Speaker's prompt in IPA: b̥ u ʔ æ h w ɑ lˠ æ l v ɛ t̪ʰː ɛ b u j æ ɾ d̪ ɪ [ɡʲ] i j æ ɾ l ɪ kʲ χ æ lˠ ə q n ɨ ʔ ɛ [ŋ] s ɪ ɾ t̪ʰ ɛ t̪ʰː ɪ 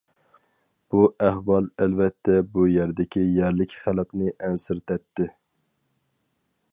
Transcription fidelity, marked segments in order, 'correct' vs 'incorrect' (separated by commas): incorrect, incorrect